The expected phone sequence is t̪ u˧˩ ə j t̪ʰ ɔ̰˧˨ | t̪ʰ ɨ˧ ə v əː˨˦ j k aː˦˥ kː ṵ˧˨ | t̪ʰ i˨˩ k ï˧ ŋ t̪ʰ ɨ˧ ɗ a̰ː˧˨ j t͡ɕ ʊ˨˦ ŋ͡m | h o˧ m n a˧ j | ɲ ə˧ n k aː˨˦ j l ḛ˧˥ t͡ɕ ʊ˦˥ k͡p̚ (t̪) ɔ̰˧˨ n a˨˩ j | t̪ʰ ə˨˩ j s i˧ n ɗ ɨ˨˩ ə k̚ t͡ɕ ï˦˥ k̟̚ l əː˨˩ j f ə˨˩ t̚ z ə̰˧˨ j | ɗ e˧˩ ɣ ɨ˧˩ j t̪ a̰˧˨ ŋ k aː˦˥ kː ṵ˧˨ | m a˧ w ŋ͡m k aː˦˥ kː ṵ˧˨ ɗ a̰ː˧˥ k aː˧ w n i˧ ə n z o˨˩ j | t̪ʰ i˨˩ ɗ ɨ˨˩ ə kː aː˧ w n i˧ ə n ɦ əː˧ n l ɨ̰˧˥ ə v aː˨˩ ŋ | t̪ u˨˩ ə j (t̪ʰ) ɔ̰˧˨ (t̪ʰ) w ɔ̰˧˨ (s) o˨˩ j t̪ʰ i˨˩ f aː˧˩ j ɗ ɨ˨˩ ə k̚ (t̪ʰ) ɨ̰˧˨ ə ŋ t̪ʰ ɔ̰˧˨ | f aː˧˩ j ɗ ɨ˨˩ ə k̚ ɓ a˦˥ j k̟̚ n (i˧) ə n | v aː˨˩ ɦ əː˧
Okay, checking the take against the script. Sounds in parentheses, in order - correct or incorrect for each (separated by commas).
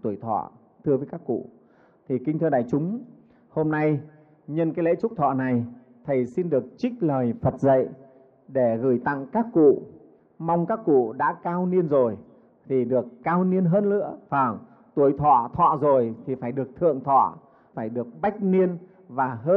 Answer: incorrect, correct, correct, incorrect, correct, correct